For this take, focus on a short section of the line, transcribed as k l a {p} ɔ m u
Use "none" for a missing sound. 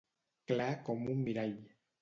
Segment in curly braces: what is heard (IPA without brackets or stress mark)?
k